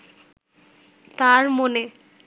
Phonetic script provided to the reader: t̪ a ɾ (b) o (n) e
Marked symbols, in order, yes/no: no, yes

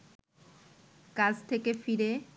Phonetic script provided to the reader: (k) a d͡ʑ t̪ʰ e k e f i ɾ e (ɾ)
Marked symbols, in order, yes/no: yes, no

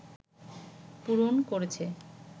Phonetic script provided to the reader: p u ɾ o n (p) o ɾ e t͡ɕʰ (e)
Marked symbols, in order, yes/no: no, yes

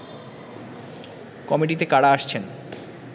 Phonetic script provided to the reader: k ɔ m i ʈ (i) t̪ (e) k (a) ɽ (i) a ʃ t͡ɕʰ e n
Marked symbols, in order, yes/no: yes, yes, yes, no

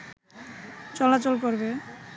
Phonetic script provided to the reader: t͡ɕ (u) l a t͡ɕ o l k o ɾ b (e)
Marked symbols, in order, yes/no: no, yes

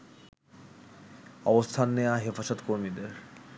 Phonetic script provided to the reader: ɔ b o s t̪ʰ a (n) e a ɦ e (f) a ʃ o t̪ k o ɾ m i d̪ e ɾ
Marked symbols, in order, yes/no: no, yes

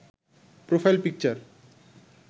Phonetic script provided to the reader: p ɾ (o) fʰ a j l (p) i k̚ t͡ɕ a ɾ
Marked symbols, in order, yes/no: yes, yes

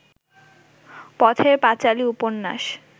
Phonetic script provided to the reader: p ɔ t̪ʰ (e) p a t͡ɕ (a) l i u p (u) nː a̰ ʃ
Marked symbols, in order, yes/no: yes, yes, no

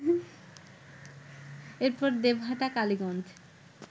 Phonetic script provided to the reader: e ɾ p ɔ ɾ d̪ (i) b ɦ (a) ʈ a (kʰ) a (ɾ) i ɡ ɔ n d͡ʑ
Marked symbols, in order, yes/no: no, yes, no, no

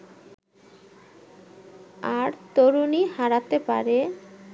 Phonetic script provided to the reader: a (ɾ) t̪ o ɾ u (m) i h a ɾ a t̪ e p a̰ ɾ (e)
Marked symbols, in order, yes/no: yes, no, yes

